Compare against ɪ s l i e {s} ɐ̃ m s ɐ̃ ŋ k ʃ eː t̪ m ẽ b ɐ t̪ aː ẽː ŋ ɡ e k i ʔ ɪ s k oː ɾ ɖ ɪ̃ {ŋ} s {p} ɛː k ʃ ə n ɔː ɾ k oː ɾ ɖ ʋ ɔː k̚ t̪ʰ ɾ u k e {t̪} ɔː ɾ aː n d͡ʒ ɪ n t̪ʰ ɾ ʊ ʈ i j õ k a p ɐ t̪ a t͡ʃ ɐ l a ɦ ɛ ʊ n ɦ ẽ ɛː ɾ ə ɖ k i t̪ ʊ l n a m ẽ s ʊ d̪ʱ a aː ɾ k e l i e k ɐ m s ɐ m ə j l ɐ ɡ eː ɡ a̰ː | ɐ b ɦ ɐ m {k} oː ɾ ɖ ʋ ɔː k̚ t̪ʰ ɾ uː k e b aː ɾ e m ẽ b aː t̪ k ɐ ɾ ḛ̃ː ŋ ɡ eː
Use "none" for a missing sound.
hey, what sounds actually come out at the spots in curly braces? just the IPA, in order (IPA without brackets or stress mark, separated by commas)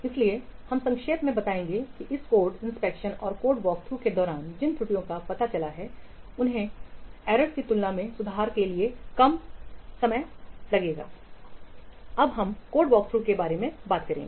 h, n, p, d̪, k